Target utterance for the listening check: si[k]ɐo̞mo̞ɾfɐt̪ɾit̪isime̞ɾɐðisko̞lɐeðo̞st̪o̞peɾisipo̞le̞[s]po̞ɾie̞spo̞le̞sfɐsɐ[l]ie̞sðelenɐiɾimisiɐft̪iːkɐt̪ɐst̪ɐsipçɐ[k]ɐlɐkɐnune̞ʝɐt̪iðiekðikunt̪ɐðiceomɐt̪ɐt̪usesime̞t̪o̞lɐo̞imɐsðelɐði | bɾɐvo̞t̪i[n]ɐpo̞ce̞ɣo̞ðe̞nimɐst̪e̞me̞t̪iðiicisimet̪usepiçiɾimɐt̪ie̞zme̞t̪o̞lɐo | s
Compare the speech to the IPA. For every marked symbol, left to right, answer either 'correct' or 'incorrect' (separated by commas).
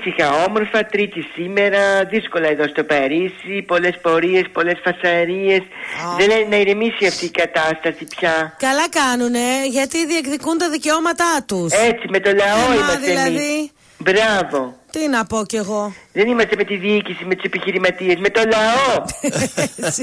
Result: incorrect, correct, incorrect, correct, correct